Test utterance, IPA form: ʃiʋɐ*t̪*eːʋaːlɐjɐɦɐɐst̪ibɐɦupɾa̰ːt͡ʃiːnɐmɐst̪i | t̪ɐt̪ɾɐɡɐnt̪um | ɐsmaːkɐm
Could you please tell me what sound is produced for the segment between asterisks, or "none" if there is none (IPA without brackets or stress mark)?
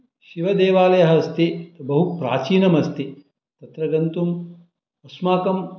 d̪